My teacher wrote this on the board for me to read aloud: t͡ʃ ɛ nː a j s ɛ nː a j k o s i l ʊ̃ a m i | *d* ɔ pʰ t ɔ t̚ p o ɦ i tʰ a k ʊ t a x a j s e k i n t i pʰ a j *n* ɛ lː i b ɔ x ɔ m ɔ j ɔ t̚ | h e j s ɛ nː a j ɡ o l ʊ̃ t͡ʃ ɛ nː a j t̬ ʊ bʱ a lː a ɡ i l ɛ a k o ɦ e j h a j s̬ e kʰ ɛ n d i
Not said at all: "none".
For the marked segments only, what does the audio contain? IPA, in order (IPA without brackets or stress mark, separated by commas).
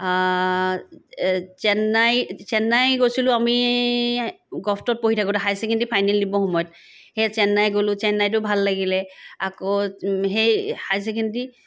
ɡ, n